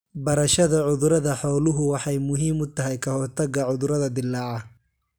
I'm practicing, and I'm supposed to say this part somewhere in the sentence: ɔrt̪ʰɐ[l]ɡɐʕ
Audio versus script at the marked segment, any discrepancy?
yes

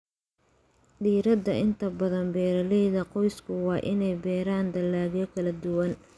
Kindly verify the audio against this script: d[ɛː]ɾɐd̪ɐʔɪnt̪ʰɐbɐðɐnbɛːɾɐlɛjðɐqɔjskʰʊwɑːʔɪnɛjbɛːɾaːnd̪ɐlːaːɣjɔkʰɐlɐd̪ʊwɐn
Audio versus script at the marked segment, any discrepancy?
yes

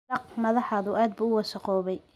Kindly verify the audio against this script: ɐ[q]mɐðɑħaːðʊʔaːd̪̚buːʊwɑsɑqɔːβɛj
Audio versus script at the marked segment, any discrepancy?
no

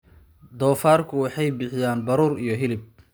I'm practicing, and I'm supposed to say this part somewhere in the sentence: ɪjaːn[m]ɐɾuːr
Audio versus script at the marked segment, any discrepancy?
yes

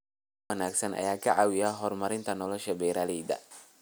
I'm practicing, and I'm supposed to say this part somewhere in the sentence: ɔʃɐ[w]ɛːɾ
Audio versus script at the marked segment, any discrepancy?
yes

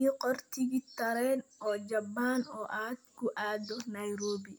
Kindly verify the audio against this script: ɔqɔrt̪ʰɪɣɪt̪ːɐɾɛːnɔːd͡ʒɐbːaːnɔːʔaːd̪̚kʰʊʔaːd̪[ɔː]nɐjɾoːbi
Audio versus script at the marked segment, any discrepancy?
yes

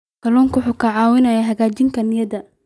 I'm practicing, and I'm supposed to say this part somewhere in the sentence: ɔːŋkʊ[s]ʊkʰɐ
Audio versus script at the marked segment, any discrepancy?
yes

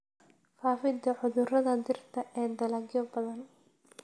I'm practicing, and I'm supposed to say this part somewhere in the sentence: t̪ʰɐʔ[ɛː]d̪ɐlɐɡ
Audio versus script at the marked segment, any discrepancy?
no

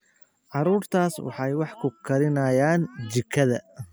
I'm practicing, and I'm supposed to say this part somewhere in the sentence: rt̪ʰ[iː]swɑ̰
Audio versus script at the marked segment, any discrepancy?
yes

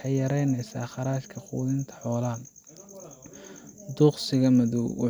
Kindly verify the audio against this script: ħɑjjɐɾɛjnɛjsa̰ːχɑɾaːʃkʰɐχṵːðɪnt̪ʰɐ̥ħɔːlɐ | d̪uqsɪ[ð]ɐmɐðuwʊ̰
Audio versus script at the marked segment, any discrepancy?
yes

